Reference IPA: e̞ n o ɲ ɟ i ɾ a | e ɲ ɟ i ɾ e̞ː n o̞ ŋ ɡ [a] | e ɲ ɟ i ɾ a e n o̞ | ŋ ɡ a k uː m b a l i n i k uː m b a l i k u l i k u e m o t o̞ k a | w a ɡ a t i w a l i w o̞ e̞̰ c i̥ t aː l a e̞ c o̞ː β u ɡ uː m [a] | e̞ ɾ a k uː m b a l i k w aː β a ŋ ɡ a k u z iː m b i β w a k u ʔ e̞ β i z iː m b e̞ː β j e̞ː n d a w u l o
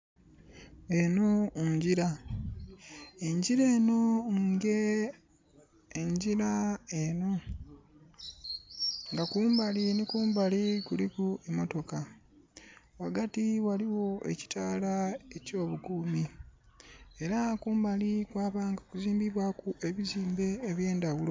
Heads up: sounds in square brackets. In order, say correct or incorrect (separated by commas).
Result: incorrect, incorrect